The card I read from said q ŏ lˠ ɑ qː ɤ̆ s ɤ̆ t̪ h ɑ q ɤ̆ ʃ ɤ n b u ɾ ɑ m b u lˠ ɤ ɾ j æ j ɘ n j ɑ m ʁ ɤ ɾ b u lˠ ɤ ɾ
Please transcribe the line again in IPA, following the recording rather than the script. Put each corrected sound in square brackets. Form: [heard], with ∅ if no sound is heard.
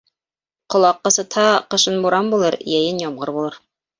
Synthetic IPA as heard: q ŏ lˠ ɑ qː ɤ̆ s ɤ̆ t̪ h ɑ q ɤ̆ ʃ ɤ n b u ɾ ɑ m b u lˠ ɤ ɾ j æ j ɘ n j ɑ m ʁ ɤ ɾ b u lˠ ɤ ɾ